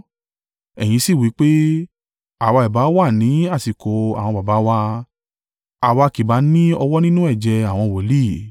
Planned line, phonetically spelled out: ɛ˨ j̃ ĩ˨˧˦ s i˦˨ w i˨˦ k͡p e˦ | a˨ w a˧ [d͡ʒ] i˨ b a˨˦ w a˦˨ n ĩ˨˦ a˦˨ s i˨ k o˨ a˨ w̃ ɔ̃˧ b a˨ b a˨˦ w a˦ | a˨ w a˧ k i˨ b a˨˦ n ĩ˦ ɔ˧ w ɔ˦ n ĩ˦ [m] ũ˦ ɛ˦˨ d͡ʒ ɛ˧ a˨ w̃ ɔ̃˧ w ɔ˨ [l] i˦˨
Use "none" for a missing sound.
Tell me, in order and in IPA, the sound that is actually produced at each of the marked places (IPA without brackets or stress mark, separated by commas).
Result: none, n, l